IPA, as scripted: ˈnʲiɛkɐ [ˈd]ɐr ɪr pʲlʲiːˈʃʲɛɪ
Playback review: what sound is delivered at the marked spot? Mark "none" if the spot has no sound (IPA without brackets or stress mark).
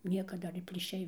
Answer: d